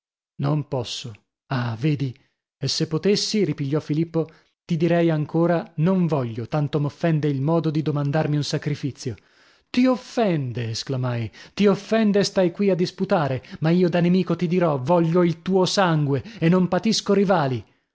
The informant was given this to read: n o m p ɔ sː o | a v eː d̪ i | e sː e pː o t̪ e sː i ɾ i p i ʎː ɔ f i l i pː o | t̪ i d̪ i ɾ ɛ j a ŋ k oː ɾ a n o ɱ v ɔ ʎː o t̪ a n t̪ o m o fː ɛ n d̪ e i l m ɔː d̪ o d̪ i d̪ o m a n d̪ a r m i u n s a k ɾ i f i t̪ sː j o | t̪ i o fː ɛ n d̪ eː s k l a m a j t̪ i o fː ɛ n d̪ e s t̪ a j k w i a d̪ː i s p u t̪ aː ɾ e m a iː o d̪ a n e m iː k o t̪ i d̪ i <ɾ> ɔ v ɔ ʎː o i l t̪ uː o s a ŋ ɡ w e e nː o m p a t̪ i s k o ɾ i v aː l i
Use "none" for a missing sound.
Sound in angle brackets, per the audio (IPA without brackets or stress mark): ɾ